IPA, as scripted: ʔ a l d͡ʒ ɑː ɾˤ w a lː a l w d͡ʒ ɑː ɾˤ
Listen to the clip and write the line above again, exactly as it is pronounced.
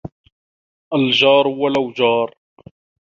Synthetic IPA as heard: ʔ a l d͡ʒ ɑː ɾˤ w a l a w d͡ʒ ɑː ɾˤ